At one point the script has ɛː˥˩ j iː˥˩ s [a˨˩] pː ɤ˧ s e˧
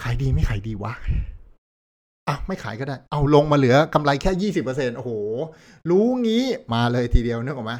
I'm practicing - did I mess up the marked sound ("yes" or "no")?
yes